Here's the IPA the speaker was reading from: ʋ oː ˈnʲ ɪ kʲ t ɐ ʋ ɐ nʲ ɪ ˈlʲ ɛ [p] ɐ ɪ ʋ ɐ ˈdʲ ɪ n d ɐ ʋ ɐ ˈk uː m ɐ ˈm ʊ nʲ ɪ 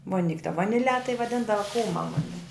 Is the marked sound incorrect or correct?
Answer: incorrect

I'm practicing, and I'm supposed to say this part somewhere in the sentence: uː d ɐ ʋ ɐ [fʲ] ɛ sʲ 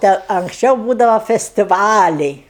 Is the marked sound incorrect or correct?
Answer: correct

